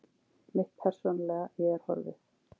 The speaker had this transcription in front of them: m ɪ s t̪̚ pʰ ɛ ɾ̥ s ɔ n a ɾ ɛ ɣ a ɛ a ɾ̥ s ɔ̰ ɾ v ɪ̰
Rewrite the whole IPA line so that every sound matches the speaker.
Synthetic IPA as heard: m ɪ h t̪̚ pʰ ɛ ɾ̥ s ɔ n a l ɛ ɣ a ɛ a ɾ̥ h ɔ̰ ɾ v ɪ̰